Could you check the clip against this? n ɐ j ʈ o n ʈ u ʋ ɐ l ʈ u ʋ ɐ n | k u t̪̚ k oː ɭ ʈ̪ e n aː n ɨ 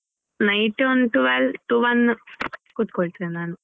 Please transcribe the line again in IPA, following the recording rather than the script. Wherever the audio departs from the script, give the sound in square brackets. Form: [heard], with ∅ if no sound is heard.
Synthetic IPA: n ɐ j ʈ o n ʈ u ʋ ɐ l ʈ u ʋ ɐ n | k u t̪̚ k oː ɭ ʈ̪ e n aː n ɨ